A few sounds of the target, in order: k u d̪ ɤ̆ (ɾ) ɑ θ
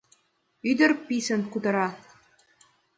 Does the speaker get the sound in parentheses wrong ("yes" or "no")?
no